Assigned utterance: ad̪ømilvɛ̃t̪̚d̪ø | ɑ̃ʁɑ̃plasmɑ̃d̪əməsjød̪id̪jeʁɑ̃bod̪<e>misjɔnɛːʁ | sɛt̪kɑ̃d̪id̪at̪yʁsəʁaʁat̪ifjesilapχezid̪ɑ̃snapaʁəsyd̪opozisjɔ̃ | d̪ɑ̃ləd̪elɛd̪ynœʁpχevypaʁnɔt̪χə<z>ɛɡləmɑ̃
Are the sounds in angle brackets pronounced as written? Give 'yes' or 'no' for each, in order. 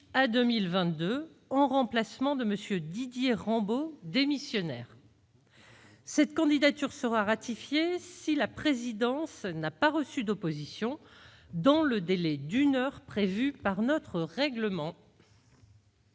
yes, no

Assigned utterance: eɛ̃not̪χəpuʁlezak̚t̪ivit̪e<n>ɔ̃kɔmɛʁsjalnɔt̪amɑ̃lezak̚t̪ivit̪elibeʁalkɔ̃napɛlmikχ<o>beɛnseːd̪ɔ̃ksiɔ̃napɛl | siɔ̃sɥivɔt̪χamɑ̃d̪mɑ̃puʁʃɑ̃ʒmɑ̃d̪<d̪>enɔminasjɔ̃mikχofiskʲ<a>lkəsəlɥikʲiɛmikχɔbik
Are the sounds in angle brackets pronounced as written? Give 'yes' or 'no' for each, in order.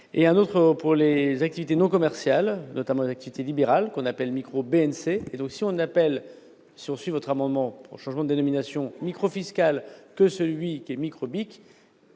yes, yes, yes, yes

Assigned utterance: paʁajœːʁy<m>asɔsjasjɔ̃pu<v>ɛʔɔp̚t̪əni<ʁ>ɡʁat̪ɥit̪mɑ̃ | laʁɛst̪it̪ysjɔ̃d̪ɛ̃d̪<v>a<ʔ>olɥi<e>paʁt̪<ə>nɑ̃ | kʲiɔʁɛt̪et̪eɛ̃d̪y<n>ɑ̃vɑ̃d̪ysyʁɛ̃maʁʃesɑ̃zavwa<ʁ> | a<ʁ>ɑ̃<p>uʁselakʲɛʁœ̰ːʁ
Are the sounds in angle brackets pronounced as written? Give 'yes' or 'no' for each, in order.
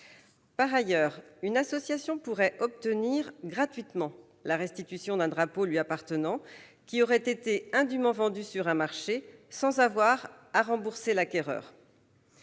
no, no, yes, no, no, no, yes, no, yes, yes, no

